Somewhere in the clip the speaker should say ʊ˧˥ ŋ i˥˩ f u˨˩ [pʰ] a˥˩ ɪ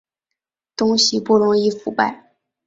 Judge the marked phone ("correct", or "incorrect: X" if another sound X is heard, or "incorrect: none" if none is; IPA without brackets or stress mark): incorrect: p